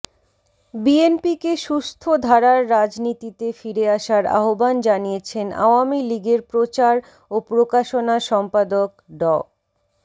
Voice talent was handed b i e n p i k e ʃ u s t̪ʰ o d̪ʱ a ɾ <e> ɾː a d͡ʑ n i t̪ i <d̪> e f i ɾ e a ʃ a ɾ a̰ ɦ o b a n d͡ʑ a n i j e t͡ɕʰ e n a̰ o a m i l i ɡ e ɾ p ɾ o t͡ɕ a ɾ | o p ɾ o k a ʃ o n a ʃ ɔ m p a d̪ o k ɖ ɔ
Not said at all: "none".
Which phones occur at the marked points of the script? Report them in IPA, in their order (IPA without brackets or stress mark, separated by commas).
a, t̪